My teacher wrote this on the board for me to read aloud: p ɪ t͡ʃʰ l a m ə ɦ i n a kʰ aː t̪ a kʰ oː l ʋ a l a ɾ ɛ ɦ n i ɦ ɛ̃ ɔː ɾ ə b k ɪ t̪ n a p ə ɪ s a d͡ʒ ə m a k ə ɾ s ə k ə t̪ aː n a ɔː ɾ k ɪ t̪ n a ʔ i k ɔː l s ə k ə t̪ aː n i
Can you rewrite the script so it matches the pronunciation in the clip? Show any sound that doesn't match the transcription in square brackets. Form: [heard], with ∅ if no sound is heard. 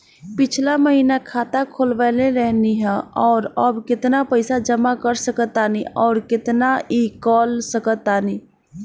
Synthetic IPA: p ɪ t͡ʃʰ l a m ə ɦ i n a kʰ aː t̪ a kʰ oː l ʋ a l [e] ɾ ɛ ɦ n i ɦ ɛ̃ ɔː ɾ ə b k ɪ t̪ n a p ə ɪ s a d͡ʒ ə m a k ə ɾ s ə k ə t̪ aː n [i] ɔː ɾ k ɪ t̪ n a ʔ i k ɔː l s ə k ə t̪ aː n i